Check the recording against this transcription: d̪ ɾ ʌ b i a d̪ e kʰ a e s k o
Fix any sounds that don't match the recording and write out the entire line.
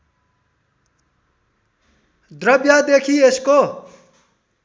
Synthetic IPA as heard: d̪ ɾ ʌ b j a d̪ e kʰ i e s k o